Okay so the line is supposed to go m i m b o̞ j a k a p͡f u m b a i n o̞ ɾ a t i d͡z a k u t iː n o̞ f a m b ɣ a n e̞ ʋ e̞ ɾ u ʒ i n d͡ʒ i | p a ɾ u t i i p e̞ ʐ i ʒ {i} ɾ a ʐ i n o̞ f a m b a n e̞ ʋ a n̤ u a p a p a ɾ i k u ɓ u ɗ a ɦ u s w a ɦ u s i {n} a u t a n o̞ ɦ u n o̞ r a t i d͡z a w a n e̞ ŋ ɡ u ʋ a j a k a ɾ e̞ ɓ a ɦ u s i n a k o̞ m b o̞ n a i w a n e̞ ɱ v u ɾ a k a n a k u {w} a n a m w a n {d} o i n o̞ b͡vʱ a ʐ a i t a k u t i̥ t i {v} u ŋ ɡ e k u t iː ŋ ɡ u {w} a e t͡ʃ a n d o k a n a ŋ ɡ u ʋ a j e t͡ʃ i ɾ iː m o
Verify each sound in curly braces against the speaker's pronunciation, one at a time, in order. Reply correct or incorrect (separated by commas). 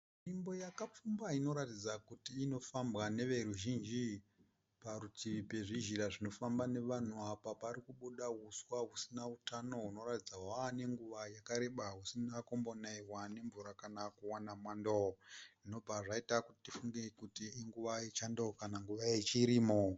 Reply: correct, correct, correct, correct, incorrect, incorrect